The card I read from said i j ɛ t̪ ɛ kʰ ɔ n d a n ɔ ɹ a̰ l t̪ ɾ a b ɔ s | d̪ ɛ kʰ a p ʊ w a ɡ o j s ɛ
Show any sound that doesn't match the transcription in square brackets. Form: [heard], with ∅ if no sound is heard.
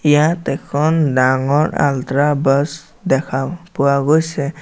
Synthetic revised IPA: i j [a] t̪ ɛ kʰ ɔ n d a [ŋ] ɔ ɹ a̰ l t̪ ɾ a b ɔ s | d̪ ɛ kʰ a p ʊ w a ɡ o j s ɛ